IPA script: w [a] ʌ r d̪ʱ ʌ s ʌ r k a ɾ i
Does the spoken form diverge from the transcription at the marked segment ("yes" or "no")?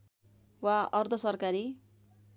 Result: no